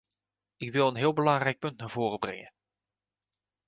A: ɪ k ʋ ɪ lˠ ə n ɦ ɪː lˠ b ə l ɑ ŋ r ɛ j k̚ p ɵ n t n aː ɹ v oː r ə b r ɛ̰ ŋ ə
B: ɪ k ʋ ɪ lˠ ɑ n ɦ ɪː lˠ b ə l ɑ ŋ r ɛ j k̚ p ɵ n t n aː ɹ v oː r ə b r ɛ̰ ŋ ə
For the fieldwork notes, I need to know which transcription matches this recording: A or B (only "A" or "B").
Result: A